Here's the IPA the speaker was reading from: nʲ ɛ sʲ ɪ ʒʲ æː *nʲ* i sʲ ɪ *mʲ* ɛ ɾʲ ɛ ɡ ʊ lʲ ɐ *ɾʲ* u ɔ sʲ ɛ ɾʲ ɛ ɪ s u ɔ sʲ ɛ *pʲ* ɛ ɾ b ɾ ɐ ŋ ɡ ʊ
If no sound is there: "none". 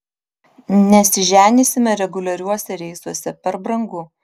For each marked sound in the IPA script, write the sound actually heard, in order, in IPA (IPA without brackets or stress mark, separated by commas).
nʲ, mʲ, ɾʲ, pʲ